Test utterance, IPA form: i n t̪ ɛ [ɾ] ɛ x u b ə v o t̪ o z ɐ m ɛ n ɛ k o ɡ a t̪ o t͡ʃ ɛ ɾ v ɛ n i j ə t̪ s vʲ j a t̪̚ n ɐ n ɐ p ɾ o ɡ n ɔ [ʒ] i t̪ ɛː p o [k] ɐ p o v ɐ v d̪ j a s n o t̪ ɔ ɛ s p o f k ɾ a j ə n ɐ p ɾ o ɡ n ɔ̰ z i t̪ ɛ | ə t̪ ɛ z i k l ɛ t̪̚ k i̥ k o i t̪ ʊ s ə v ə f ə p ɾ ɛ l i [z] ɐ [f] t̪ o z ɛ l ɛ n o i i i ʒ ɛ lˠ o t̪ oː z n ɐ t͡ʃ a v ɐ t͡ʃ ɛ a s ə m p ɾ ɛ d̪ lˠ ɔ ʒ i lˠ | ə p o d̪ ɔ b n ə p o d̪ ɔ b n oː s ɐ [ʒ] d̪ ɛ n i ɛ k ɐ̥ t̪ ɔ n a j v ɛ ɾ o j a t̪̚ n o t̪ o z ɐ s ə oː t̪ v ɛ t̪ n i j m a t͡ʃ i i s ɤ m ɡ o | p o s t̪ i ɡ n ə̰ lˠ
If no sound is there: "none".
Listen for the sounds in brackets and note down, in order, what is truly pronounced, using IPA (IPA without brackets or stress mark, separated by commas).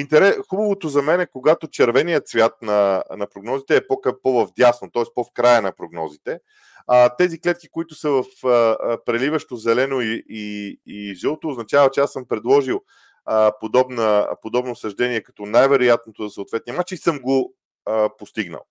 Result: ɾ, z, k, v, ʃ, ʒ